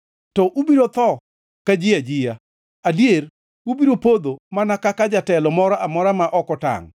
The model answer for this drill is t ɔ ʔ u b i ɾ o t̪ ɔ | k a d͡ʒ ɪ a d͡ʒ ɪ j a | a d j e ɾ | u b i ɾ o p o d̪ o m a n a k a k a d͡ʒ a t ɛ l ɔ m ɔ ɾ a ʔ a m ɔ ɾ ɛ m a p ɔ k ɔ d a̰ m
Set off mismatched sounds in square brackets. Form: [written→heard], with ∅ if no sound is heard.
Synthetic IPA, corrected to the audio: t ɔ ʔ u b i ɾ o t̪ ɔ | k a d͡ʒ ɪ a d͡ʒ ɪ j a | a d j e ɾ | u b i ɾ o p o d̪ o m a n a k a k a d͡ʒ a t ɛ l ɔ m ɔ ɾ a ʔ a m ɔ ɾ [ɛ→a] m a [p→ʔ] ɔ k ɔ [d→t] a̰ [m→ŋ]